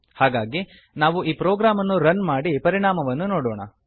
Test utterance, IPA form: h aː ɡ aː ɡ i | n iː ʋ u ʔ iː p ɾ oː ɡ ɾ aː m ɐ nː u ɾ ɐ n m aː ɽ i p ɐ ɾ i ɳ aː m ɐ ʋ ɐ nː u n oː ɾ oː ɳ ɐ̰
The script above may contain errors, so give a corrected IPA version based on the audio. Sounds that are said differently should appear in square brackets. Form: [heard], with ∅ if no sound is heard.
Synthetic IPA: h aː ɡ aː ɡ i | n [aː] ʋ u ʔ iː p ɾ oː ɡ ɾ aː m ɐ nː u ɾ ɐ n m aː ɽ i p ɐ ɾ i ɳ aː m ɐ ʋ ɐ nː u n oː [ɽ] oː ɳ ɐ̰